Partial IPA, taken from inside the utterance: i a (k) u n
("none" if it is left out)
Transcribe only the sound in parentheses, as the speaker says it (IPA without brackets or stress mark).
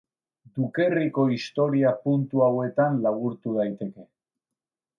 p